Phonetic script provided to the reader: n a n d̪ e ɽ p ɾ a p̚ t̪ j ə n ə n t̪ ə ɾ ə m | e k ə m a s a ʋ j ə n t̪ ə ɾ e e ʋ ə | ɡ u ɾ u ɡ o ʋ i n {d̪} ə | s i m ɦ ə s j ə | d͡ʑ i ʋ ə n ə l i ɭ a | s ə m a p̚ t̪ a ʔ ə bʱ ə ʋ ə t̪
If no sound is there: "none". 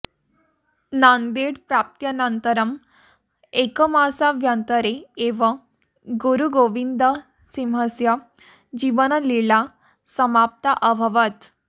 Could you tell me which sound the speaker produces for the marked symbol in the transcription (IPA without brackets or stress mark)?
d̪